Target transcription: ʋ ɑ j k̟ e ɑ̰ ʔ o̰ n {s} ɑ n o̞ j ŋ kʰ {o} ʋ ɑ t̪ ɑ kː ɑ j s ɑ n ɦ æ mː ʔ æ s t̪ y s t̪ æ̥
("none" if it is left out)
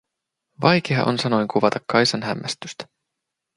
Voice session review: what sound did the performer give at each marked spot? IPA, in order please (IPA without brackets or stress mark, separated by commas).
s, u